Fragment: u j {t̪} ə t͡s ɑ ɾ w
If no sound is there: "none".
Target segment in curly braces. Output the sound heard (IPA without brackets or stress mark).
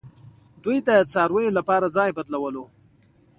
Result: d̪